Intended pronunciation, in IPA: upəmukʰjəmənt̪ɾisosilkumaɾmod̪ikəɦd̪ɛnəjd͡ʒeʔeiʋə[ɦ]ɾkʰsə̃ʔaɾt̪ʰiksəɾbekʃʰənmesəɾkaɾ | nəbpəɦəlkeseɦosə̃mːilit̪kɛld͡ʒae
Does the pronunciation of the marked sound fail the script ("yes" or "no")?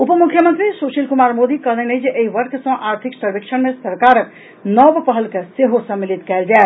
yes